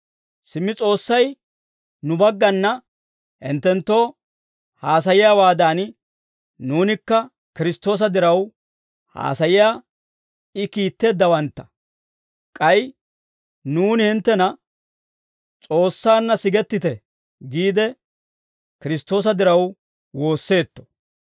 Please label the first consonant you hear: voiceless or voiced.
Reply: voiceless